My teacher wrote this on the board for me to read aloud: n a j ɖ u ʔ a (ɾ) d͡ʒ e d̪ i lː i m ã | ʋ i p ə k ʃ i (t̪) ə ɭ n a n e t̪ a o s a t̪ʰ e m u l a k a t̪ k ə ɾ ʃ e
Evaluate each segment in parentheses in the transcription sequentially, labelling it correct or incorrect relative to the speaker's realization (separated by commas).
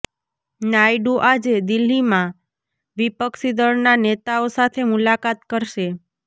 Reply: incorrect, incorrect